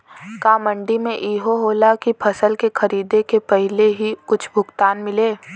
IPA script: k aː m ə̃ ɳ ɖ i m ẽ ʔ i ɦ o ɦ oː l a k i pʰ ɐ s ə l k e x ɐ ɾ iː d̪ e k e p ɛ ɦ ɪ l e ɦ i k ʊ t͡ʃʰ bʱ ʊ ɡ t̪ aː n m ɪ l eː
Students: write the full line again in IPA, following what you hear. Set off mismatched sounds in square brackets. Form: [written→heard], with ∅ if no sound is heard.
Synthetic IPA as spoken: k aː m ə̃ ɳ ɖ i m ẽ ʔ [i→iː] ɦ o ɦ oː l a k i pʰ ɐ s ə l k e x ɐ ɾ iː d̪ e k e p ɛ ɦ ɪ l e ɦ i k ʊ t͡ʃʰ bʱ ʊ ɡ t̪ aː n m ɪ l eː